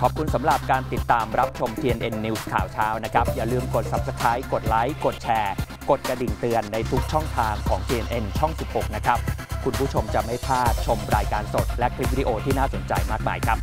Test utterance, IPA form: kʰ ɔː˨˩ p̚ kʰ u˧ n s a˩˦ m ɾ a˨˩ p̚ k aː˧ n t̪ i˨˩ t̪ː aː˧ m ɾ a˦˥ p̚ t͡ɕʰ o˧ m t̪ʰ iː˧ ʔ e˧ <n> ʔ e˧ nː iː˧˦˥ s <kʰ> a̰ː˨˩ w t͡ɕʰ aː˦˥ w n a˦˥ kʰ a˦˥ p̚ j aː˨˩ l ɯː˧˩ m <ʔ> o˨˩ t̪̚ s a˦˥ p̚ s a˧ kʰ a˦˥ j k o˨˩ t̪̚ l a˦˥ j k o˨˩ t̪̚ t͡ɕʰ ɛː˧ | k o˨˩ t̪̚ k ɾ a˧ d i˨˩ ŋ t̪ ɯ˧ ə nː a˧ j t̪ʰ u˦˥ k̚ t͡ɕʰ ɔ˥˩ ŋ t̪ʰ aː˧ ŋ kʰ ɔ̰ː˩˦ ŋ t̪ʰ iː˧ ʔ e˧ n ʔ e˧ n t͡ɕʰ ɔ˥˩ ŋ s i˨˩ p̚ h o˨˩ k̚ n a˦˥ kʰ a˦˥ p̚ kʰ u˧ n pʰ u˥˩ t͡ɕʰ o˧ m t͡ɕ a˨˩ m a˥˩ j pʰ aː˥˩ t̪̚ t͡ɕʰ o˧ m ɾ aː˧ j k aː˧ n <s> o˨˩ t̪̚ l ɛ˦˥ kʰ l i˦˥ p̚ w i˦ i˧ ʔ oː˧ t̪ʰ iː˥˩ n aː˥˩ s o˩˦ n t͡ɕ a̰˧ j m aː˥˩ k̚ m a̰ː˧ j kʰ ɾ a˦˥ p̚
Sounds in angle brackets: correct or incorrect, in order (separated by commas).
correct, correct, incorrect, correct